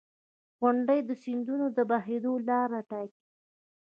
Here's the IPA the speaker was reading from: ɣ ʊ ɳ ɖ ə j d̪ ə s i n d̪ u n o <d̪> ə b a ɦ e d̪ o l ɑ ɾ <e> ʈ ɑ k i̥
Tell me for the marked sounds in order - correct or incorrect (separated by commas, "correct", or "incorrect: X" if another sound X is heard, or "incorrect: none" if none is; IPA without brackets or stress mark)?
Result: correct, incorrect: a